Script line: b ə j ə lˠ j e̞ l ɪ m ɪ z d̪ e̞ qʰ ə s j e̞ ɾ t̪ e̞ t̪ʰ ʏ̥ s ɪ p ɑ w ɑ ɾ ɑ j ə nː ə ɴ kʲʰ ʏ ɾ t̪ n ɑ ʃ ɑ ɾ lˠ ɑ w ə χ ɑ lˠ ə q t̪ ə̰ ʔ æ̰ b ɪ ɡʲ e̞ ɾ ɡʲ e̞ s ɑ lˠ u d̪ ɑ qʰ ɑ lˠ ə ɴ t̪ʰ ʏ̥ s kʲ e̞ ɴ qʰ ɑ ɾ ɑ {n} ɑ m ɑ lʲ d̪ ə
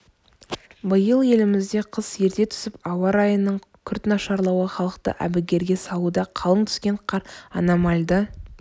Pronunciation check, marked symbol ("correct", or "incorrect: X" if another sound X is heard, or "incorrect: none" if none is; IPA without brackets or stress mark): correct